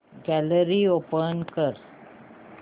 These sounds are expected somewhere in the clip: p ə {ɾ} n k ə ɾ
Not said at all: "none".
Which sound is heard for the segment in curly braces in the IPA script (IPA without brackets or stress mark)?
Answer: none